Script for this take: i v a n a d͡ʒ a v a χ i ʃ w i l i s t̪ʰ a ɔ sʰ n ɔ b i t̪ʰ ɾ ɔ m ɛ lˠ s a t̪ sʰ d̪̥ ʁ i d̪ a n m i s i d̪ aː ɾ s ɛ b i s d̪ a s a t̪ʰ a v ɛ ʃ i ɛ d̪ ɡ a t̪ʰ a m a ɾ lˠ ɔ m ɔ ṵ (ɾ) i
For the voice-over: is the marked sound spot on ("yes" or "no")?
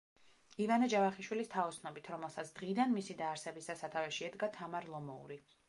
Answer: yes